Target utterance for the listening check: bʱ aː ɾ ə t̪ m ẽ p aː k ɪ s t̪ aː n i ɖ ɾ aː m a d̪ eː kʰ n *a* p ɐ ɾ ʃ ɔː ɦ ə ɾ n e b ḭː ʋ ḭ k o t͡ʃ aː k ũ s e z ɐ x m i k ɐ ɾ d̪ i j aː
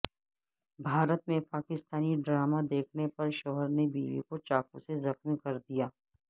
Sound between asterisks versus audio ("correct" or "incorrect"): incorrect